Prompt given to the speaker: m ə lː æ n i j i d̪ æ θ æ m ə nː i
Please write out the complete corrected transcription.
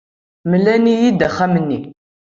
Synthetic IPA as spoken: m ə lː æ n i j i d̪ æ χ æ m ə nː i